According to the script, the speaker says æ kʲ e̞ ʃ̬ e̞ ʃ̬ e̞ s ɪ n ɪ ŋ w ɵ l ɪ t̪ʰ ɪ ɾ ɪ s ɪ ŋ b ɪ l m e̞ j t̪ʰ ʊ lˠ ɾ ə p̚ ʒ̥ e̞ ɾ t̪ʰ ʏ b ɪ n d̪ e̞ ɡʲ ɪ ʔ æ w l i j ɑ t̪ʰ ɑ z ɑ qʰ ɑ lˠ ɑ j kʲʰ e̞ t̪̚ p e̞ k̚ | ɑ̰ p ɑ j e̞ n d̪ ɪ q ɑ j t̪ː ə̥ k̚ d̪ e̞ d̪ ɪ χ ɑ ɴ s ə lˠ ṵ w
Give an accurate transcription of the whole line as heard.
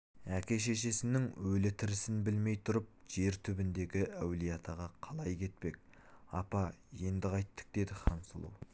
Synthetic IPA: æ kʲ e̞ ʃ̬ e̞ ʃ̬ e̞ s ɪ n ɪ ŋ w ɵ l ɪ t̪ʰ ɪ ɾ ɪ s ɪ n b ɪ l m e̞ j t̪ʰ ʊ ɾ ə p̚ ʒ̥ e̞ ɾ t̪ʰ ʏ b ɪ n d̪ e̞ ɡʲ ɪ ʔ æ w l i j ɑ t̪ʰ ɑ ʁ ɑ qʰ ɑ lˠ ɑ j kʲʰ e̞ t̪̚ p e̞ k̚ | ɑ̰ p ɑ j e̞ n d̪ ɪ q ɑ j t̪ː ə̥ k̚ d̪ e̞ d̪ ɪ χ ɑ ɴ s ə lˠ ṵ w